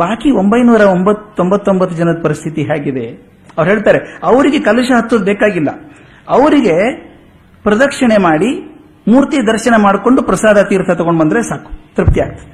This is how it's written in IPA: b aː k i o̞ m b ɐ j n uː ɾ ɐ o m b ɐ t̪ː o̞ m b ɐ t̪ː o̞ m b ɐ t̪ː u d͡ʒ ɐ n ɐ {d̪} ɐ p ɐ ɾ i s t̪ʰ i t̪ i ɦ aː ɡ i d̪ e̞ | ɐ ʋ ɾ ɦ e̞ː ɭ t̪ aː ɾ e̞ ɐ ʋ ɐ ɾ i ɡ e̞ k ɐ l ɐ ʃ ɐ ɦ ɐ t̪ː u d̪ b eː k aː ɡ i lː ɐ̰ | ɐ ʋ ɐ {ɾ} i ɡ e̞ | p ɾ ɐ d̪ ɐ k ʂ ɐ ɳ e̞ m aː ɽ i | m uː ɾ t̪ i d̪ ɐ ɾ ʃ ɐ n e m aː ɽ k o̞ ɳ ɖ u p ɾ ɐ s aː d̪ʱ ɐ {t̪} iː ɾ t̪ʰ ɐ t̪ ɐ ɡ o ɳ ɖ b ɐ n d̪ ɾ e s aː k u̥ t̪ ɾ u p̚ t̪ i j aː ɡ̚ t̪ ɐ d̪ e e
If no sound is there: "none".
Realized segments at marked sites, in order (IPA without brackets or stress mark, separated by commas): d̪, ɾ, t̪